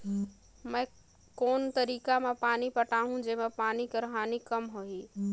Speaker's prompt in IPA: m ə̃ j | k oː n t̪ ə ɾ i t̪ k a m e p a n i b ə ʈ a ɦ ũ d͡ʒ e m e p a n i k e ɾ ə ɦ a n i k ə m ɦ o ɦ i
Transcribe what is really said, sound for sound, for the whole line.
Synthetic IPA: m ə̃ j | k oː n t̪ ə ɾ i k a m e p a n i p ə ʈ a ɦ ũ d͡ʒ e m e p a n i k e ɾ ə ɦ a n i k ə m ɦ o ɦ i